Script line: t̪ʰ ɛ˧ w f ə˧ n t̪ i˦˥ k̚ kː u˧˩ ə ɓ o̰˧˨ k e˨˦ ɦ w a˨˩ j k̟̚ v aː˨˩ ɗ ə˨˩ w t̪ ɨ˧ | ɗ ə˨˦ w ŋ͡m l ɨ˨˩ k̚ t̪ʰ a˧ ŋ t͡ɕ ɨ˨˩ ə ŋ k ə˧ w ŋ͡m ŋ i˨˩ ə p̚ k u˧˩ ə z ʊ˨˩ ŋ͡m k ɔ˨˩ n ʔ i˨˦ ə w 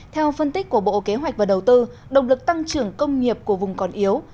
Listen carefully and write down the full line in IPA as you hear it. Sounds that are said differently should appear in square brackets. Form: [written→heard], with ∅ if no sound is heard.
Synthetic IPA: t̪ʰ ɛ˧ w f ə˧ n t̪ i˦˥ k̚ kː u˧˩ ə ɓ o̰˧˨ k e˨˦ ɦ w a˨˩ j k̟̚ v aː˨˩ ɗ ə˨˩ w t̪ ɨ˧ | ɗ [ə˨˦→ə˨˩] w ŋ͡m l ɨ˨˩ k̚ [t̪ʰ→t̪] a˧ ŋ t͡ɕ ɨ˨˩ ə ŋ k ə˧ w ŋ͡m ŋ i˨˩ ə p̚ k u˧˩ ə [z→v] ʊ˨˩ ŋ͡m k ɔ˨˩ n ʔ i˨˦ ə w